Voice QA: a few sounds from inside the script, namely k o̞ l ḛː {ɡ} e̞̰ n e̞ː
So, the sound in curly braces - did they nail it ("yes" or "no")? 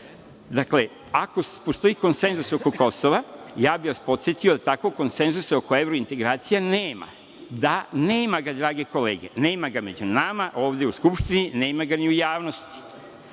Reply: yes